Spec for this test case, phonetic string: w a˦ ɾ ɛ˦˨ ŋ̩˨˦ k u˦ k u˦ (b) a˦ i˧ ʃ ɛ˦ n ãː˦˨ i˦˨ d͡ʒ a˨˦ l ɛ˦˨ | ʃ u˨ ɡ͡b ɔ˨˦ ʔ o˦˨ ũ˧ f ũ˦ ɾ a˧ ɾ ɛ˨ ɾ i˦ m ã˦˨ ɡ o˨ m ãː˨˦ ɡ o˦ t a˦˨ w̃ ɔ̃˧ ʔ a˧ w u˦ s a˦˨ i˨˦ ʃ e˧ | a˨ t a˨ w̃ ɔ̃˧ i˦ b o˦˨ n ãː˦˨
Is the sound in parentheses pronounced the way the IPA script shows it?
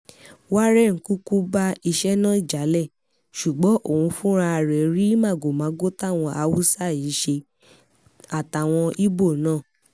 yes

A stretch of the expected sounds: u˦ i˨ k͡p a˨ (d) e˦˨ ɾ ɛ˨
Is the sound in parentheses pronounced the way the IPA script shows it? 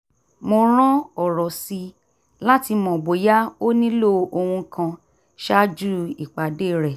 yes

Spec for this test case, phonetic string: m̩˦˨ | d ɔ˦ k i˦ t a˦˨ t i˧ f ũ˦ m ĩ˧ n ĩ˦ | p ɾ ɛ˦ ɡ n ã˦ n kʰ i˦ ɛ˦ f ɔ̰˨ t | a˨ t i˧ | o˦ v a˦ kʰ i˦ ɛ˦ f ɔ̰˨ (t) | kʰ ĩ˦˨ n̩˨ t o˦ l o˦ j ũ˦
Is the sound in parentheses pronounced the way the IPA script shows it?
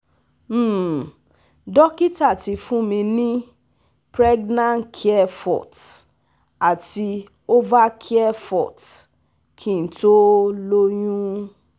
yes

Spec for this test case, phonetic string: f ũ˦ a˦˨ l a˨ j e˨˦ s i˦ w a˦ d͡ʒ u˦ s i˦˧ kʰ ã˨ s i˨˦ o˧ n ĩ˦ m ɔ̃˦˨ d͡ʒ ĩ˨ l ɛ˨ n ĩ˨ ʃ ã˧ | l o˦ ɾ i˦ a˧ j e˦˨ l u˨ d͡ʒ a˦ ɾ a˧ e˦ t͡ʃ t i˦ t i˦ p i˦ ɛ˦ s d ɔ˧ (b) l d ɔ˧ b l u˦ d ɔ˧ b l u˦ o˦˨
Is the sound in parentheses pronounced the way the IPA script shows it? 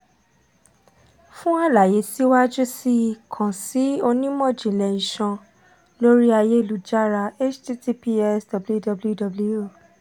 yes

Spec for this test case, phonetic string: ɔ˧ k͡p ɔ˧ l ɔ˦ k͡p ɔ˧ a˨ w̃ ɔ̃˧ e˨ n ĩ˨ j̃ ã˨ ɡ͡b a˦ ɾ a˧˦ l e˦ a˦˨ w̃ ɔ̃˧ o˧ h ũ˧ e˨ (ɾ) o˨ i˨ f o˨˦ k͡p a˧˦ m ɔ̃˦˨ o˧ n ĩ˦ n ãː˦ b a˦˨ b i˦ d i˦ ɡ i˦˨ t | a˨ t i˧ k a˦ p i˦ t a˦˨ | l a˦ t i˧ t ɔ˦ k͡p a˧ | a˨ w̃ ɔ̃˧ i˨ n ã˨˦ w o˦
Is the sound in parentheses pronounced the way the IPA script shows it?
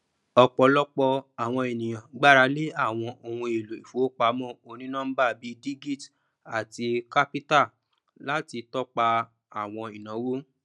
no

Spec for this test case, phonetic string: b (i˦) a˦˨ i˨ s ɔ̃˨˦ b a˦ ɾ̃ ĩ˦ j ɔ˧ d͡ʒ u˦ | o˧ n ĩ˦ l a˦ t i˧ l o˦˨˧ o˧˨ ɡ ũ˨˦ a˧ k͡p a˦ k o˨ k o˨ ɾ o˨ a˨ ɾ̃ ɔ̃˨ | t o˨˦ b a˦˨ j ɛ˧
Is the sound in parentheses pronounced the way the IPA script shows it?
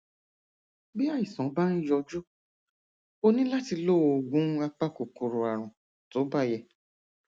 yes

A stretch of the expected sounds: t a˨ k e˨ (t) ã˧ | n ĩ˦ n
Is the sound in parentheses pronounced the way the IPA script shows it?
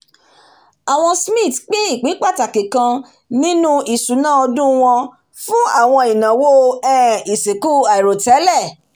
no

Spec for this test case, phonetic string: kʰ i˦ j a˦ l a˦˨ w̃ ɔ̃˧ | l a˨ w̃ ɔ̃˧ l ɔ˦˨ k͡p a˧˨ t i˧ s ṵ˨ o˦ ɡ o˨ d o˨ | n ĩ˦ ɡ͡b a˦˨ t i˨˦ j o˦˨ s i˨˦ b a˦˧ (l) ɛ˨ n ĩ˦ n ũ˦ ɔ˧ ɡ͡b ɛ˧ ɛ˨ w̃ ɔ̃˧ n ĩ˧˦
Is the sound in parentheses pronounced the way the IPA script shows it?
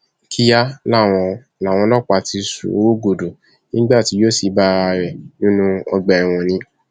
no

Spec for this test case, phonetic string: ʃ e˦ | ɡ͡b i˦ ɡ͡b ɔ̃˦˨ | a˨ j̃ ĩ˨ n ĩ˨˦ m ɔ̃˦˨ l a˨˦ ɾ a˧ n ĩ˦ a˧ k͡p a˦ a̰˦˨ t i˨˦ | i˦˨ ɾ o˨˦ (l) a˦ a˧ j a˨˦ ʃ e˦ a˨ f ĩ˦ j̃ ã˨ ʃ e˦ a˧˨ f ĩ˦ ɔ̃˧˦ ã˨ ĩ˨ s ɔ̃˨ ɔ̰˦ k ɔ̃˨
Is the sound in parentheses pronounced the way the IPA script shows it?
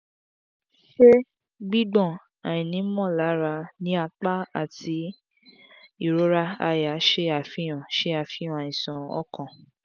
no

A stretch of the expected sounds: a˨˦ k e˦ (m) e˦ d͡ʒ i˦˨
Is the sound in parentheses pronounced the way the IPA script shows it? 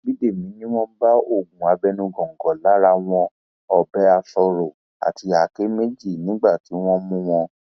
yes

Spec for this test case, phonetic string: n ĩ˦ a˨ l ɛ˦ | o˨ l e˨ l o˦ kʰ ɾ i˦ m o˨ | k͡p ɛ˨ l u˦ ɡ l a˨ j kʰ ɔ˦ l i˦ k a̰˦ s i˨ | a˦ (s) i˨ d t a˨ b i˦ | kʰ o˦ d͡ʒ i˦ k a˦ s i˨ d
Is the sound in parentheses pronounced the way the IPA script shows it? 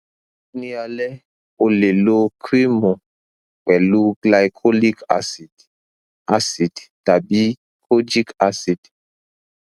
yes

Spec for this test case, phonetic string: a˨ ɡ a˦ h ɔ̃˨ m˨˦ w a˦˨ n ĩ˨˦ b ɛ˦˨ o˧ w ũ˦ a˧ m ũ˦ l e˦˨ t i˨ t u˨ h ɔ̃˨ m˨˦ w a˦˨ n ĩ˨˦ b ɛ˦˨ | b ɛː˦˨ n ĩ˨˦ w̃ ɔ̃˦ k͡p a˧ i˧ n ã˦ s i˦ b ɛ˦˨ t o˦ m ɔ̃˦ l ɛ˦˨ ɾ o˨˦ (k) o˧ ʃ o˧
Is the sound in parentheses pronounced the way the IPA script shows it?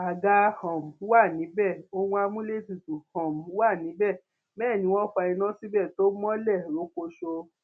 yes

